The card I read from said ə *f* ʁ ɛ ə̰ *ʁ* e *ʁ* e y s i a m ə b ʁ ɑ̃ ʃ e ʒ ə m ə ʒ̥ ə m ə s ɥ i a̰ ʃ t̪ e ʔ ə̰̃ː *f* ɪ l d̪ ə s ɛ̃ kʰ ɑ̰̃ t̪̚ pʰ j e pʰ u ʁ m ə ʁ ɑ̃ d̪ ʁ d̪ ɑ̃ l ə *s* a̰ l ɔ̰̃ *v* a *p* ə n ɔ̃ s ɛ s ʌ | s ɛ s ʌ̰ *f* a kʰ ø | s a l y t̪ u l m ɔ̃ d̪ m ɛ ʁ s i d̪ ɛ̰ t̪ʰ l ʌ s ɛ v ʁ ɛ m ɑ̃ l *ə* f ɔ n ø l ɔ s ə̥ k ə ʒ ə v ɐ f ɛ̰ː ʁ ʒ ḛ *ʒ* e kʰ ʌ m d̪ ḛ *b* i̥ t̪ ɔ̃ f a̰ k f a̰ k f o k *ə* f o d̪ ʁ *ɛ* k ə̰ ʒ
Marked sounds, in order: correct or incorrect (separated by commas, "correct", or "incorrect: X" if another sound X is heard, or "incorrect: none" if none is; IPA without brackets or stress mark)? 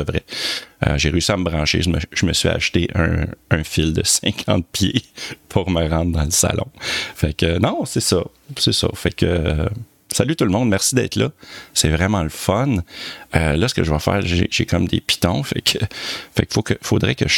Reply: incorrect: v, incorrect: ʒ, correct, correct, correct, incorrect: f, incorrect: k, correct, correct, correct, incorrect: p, correct, correct